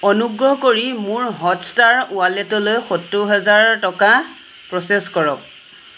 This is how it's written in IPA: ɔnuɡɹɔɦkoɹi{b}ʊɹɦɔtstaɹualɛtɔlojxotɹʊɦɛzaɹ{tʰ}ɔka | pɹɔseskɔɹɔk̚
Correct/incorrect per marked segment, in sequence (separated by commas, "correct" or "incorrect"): incorrect, incorrect